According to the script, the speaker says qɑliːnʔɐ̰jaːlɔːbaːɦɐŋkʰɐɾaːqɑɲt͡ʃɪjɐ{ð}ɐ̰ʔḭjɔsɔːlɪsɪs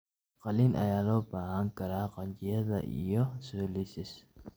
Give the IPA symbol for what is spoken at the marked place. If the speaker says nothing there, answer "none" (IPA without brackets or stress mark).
ð